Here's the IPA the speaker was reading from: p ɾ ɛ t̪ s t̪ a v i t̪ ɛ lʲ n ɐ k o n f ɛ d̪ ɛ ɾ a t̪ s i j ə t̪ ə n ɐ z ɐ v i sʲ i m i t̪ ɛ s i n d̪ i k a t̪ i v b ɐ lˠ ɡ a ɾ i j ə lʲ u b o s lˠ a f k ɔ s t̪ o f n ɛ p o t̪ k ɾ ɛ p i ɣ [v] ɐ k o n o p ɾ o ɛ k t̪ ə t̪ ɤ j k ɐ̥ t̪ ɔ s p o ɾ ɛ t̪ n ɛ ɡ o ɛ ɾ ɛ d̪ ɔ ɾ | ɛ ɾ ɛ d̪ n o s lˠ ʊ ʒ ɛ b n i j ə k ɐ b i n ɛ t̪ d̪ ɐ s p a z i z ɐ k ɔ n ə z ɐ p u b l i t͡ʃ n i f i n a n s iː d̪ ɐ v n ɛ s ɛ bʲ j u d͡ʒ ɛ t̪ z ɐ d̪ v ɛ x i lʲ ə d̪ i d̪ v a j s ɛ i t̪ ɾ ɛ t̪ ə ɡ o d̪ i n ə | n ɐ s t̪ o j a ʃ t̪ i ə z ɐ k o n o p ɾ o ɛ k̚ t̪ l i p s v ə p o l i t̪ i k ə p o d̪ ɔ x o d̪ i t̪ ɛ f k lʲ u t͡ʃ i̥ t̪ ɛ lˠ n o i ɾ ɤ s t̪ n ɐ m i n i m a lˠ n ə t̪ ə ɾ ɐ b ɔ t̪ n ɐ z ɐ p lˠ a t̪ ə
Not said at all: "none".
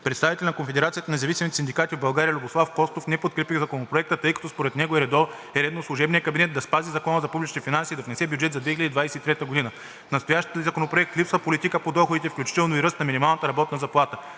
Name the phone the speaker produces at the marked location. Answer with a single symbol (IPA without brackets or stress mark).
z